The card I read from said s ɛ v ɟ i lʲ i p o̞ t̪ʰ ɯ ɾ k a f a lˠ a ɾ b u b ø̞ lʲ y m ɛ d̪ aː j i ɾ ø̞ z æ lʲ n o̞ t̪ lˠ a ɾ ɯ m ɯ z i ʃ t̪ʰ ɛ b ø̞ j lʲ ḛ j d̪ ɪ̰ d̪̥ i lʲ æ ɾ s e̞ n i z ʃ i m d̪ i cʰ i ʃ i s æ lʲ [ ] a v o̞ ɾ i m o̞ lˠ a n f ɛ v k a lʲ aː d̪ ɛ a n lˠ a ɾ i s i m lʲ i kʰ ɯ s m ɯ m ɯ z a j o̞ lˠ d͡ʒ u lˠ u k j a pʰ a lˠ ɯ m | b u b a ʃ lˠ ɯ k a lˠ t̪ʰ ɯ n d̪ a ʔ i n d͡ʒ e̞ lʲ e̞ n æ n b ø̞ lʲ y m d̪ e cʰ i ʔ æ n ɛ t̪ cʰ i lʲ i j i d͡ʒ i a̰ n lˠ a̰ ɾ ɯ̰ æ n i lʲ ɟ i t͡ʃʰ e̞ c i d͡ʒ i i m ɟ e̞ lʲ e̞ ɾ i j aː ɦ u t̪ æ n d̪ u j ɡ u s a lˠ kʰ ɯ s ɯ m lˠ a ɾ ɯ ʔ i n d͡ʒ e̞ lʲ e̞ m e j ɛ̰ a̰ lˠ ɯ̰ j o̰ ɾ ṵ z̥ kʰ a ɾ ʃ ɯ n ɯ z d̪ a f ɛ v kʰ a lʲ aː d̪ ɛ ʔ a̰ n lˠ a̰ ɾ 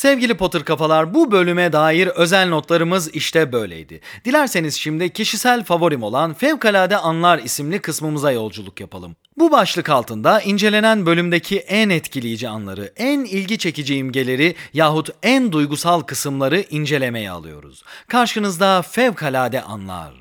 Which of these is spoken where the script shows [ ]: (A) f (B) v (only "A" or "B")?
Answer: A